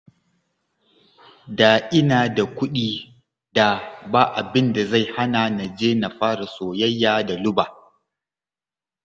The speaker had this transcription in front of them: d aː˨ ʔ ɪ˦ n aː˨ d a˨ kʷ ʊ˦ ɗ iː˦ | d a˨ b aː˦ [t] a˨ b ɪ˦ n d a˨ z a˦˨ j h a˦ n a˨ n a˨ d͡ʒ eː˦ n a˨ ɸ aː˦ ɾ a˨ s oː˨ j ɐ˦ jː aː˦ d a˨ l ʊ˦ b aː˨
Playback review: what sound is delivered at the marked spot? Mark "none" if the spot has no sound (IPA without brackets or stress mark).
ʔ